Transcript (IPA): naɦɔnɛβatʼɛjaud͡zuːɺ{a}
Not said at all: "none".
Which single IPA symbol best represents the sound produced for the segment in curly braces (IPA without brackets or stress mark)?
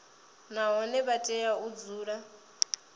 a